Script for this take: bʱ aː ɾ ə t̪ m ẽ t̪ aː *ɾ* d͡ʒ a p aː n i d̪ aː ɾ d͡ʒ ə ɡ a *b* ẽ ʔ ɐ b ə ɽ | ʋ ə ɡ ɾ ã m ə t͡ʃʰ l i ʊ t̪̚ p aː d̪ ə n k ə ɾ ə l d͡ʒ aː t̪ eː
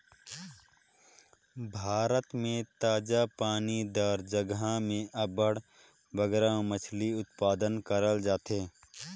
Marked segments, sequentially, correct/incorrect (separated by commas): incorrect, incorrect